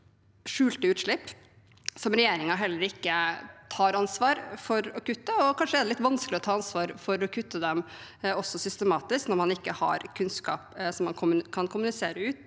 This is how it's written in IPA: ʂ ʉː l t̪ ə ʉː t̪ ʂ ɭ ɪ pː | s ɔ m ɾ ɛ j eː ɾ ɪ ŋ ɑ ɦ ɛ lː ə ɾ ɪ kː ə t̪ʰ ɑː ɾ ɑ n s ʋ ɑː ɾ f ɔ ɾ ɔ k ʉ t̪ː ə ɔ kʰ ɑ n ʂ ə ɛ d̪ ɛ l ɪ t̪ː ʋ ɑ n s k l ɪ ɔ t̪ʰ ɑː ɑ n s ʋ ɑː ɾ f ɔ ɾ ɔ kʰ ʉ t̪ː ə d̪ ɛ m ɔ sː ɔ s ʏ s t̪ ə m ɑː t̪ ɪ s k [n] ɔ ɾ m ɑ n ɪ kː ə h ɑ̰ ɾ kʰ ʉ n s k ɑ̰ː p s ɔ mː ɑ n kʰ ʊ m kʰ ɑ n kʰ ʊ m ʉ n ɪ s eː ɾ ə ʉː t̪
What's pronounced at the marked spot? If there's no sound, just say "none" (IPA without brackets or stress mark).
n